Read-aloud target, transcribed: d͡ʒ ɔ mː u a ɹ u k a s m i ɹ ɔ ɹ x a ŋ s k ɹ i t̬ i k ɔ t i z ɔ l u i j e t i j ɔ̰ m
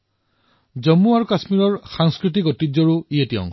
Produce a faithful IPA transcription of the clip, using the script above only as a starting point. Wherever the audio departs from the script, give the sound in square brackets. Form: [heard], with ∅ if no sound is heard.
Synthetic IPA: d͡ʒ ɔ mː u a ɹ u k a s m i ɹ ɔ ɹ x a ŋ s k ɹ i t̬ i k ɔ t i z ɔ [ɹ] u i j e t i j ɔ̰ [ŋ]